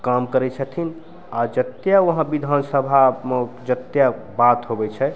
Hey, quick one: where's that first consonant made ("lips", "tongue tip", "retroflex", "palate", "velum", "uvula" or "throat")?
velum